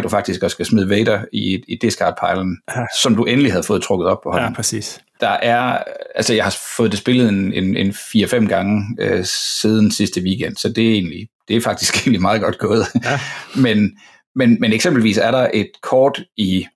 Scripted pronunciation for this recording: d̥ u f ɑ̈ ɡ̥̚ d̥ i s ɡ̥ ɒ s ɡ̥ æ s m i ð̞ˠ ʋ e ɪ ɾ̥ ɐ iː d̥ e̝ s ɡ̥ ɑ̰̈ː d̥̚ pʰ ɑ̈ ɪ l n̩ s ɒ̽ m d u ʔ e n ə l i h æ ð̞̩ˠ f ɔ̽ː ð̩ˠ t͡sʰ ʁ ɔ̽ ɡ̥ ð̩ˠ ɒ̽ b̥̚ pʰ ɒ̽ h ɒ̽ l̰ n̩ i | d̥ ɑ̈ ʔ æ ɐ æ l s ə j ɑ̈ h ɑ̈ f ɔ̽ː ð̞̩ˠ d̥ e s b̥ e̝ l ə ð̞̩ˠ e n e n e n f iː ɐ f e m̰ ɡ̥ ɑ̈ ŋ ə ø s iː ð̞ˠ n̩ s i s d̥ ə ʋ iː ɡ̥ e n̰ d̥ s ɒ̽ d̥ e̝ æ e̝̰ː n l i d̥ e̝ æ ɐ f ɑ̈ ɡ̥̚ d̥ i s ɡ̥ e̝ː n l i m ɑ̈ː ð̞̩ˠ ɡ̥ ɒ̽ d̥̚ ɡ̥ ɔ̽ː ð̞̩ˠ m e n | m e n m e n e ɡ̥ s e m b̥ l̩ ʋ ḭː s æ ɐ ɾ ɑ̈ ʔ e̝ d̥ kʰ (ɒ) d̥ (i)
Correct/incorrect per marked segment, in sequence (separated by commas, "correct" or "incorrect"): incorrect, correct